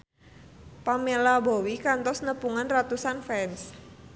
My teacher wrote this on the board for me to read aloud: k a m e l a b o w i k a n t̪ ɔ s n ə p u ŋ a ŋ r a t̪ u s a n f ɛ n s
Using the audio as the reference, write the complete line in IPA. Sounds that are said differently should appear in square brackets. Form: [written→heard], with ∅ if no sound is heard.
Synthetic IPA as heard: [k→p] a m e l a b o w i k a n t̪ ɔ s n ə p u ŋ a [ŋ→n] r a t̪ u s a n f ɛ n s